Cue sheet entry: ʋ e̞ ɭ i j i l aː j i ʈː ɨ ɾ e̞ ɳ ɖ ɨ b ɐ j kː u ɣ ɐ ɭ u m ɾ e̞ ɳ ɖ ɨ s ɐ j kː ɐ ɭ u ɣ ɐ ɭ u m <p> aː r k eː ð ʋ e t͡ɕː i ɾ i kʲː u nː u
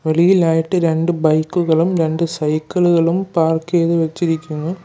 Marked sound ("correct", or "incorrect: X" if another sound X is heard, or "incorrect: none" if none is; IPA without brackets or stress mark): correct